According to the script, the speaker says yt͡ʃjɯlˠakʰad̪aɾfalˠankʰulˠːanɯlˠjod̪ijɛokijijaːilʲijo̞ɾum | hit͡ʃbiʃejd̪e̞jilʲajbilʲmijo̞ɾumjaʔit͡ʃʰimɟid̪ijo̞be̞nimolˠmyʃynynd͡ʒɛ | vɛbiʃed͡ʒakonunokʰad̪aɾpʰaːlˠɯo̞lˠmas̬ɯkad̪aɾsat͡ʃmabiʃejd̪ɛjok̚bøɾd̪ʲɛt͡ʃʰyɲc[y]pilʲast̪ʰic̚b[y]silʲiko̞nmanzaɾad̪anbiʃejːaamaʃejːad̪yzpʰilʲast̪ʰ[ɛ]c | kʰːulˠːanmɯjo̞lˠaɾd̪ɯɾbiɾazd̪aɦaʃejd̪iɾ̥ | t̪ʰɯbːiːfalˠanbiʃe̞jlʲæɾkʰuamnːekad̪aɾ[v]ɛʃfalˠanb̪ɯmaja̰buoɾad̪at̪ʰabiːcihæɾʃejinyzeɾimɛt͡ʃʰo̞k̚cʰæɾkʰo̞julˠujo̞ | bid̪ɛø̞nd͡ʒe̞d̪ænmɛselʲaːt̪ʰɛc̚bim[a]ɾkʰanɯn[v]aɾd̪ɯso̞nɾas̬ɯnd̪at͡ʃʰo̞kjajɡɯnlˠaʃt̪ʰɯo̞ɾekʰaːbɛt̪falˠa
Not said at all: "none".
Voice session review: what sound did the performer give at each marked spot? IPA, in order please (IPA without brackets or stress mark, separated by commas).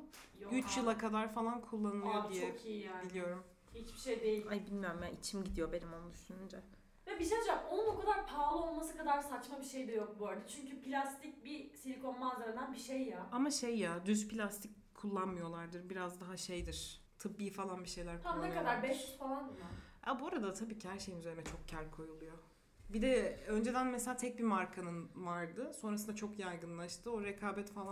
y, i, i, b, a, v